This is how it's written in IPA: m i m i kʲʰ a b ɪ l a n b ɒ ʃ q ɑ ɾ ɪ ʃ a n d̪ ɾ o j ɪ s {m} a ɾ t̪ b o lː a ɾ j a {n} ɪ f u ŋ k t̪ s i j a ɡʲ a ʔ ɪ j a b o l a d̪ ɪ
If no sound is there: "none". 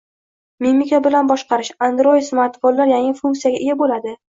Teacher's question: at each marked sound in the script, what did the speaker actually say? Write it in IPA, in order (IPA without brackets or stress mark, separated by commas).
m, ŋ